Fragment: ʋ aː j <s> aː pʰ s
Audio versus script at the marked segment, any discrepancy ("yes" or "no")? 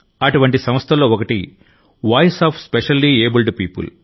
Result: no